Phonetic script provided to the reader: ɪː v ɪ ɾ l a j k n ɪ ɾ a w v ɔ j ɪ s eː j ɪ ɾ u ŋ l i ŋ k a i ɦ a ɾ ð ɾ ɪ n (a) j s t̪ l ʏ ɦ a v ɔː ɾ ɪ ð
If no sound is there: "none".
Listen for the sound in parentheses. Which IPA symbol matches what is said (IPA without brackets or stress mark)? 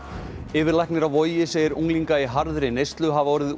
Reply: e